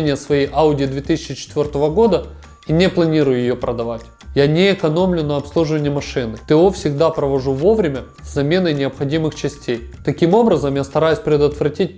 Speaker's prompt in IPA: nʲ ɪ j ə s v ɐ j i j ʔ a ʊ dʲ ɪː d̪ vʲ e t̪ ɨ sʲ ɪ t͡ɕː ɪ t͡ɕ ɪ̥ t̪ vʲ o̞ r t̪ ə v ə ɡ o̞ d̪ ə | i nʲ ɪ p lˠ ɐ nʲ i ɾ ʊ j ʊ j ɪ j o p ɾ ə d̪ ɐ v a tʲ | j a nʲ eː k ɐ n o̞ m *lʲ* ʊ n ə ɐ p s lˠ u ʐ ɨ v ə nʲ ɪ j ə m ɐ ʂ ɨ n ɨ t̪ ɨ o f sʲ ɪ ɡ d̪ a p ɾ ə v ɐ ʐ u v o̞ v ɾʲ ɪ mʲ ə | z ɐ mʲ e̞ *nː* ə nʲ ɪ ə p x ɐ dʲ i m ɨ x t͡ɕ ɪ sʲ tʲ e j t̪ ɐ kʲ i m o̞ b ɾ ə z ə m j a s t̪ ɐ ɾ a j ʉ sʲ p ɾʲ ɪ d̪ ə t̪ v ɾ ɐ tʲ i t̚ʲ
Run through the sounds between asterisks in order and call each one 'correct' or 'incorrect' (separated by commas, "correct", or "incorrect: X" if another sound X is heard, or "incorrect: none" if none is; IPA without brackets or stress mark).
correct, incorrect: n